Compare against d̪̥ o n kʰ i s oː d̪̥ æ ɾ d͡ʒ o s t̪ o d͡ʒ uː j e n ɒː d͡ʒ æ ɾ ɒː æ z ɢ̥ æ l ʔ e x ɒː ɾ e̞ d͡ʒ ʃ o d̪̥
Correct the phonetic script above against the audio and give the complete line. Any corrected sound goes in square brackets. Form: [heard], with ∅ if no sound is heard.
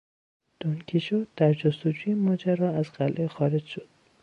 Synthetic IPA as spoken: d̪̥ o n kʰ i [ʃ] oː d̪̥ æ ɾ d͡ʒ o s t̪ o d͡ʒ uː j e [m] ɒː d͡ʒ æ ɾ ɒː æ z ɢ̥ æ l ʔ e x ɒː ɾ e̞ d͡ʒ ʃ o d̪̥

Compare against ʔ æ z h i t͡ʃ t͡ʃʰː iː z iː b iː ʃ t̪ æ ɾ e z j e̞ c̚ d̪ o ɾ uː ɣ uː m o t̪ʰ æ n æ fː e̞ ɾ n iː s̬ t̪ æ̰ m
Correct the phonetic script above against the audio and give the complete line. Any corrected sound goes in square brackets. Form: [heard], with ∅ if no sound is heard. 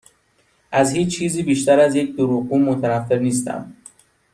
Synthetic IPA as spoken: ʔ æ z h [iː] t͡ʃ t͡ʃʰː iː z iː b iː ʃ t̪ æ ɾ [æ] z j e̞ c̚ d̪ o ɾ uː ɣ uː m o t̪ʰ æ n æ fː e̞ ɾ n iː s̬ t̪ æ̰ m

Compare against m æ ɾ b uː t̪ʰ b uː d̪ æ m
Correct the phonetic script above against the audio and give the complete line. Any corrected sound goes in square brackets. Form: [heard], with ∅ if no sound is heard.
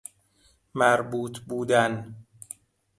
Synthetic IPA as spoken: m æ ɾ b uː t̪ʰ b uː d̪ æ [n]

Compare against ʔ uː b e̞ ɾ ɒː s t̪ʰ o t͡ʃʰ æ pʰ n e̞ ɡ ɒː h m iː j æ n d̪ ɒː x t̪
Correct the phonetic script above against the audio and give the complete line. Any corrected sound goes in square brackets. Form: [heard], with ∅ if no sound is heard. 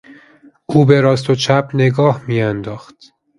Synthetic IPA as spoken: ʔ uː b e̞ ɾ ɒː s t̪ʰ o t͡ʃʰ æ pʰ n e̞ ɡ ɒː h m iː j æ n d̪ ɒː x t̪

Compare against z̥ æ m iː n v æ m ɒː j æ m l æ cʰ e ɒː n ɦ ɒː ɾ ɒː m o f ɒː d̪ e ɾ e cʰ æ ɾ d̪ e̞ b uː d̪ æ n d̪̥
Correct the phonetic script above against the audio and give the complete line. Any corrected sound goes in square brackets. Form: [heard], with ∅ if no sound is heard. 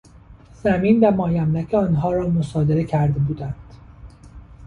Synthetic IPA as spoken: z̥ æ m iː n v æ m ɒː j æ m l æ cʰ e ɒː n ɦ ɒː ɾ ɒː m o [s] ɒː d̪ e ɾ e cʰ æ ɾ d̪ e̞ b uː d̪ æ n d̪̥

